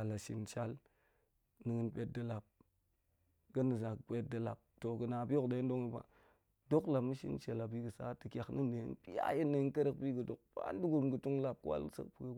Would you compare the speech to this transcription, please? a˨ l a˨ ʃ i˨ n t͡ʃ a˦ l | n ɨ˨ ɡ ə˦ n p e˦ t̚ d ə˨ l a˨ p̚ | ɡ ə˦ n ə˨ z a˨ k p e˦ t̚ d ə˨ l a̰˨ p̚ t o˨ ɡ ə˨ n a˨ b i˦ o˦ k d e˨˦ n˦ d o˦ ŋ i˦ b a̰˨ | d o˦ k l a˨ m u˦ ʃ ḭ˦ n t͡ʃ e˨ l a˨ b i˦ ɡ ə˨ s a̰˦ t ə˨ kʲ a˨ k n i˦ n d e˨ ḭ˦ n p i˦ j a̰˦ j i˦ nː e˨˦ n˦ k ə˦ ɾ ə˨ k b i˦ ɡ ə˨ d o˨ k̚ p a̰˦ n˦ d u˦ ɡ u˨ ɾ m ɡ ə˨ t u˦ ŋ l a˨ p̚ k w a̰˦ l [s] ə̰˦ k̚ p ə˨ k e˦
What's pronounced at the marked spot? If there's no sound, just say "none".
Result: s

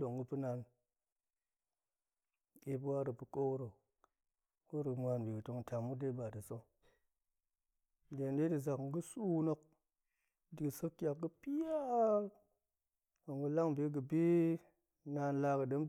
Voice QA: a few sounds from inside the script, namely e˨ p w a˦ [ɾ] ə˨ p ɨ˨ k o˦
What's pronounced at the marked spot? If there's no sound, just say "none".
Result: ɾ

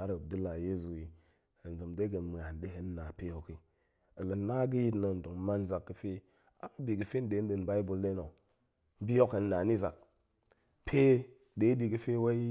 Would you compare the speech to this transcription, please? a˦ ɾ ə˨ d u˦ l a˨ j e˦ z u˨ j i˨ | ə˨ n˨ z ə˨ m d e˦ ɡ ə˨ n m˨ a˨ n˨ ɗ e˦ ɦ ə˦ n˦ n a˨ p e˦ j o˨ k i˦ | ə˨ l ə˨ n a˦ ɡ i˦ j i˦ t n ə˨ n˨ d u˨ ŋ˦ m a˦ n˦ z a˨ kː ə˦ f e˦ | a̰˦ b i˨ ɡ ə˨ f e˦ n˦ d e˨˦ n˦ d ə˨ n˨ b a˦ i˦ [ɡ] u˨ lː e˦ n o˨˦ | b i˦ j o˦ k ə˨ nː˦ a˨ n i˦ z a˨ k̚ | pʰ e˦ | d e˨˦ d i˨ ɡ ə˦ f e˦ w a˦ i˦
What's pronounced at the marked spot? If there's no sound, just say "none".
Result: b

